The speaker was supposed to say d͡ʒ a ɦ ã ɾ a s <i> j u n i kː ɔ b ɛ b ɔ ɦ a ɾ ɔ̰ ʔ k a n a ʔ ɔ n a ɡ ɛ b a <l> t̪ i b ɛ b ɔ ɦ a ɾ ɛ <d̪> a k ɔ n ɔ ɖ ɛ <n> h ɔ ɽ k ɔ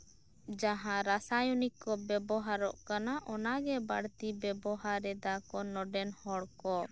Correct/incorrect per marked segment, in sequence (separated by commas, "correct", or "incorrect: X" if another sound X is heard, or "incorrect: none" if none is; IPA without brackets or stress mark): incorrect: a, incorrect: ɽ, correct, correct